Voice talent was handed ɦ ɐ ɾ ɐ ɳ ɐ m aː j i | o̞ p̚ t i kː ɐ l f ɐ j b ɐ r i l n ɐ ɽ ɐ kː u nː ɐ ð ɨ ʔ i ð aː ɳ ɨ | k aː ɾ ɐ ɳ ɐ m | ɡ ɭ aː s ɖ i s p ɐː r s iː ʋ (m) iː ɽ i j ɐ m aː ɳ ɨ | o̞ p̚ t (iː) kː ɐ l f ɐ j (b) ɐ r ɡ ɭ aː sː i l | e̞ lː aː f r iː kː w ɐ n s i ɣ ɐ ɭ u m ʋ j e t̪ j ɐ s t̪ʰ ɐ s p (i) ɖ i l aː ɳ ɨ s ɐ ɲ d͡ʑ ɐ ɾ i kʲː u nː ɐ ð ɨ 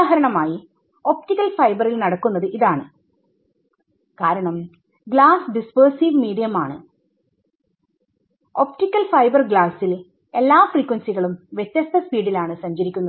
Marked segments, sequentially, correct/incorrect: correct, incorrect: i, correct, incorrect: iː

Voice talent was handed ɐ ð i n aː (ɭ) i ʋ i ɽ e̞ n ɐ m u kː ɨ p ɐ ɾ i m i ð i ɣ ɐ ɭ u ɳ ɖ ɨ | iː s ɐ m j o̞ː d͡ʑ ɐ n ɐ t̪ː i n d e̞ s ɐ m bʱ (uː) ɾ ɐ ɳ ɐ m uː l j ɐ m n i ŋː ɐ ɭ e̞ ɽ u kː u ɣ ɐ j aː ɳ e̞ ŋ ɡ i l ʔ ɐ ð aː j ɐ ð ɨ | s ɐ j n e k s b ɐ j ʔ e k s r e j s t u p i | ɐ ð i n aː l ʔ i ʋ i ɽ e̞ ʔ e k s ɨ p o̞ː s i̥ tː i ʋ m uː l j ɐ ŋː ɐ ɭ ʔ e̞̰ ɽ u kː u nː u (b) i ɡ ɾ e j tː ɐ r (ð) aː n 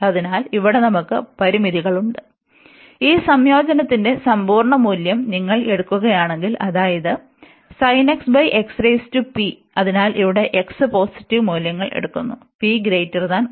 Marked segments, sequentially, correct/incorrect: incorrect: l, correct, incorrect: p, correct

